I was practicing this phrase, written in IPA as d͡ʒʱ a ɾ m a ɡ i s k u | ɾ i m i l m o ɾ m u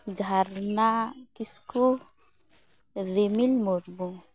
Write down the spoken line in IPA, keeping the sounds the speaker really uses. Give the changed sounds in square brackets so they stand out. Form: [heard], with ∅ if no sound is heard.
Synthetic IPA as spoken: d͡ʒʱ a ɾ [n] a [k] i s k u | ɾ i m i l m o ɾ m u